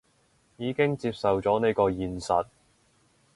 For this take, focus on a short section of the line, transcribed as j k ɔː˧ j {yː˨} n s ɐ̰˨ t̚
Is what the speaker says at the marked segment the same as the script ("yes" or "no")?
no